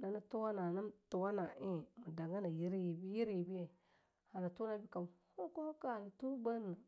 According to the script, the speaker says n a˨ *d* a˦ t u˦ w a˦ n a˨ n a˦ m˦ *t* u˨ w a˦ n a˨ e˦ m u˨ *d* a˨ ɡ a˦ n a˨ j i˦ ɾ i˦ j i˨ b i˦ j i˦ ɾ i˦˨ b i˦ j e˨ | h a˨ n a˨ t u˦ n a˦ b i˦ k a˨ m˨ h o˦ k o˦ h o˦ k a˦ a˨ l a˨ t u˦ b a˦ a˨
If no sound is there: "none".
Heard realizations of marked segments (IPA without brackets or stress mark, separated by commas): n, t, d